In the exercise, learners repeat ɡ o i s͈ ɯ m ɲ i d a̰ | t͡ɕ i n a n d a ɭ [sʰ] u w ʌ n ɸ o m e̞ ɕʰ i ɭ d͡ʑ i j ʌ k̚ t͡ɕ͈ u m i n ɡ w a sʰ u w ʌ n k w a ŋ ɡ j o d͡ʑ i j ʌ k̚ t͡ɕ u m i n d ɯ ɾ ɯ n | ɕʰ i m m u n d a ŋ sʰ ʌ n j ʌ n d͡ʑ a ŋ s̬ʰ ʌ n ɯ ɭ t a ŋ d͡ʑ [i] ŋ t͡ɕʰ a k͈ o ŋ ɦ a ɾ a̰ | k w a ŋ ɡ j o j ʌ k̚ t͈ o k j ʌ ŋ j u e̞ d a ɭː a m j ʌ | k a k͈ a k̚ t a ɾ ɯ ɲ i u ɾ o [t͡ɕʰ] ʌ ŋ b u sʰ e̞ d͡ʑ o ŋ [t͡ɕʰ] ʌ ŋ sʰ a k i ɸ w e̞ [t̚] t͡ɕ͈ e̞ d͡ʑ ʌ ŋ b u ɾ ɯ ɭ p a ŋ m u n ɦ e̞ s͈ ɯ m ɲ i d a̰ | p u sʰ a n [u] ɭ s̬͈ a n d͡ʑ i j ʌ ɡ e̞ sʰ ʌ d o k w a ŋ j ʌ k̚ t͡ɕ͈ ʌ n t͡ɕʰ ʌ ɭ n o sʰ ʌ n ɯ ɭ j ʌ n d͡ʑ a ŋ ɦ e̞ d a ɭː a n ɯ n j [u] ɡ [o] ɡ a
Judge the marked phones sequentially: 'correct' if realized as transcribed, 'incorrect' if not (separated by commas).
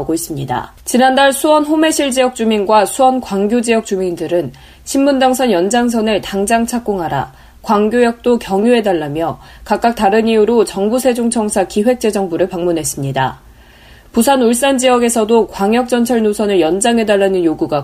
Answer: correct, incorrect, incorrect, correct, incorrect, correct, incorrect, incorrect